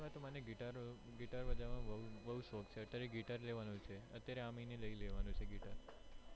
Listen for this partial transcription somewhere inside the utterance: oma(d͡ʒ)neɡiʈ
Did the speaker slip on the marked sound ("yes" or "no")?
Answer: yes